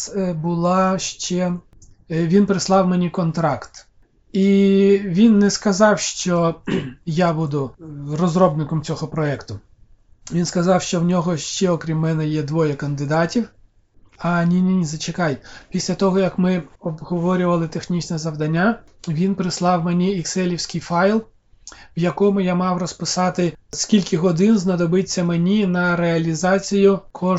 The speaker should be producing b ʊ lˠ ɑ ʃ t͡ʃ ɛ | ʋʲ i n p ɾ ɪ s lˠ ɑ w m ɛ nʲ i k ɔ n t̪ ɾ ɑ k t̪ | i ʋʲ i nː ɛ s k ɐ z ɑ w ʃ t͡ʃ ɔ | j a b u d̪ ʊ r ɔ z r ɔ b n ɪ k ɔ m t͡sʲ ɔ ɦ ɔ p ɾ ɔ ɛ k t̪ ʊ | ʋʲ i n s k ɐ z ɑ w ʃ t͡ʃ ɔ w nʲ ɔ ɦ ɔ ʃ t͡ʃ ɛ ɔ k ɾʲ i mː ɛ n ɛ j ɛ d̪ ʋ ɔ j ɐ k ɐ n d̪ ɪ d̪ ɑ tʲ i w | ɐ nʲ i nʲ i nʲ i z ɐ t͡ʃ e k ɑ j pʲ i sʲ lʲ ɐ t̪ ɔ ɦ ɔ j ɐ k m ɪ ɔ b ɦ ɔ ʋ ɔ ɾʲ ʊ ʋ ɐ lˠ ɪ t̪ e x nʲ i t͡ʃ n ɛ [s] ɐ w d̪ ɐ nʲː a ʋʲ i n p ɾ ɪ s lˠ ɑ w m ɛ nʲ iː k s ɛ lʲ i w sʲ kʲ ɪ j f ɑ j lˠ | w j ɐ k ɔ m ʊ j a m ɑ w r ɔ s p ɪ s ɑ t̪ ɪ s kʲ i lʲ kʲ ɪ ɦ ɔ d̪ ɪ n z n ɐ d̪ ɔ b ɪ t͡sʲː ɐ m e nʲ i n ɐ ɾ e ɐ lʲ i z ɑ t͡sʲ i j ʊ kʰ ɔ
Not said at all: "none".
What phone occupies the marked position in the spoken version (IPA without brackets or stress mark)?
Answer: z